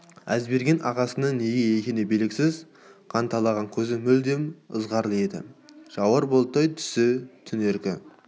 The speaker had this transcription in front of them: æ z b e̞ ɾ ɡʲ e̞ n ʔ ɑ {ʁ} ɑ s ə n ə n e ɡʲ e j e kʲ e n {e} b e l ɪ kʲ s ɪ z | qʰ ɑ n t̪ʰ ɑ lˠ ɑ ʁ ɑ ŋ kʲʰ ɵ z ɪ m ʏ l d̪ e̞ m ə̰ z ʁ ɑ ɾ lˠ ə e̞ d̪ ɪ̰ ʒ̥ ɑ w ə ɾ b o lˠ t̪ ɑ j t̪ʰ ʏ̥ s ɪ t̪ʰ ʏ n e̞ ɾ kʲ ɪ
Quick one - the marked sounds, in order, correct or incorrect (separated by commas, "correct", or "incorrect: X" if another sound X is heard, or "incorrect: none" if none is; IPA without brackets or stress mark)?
correct, correct